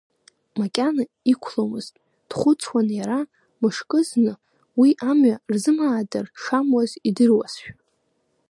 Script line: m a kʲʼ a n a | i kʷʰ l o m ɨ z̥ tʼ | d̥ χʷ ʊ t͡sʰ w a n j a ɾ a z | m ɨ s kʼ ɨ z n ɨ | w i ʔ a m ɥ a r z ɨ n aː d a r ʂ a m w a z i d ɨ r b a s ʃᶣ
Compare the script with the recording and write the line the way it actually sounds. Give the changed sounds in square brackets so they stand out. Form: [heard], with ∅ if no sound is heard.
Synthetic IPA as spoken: m a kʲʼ a n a | i kʷʰ l o m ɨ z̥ tʼ | d̥ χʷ ʊ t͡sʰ w a n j a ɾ a [∅] | m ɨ [ʂ] kʼ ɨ z n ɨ | w i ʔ a m ɥ a r z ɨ [m] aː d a r ʂ a m w a z i d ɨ r [w] a s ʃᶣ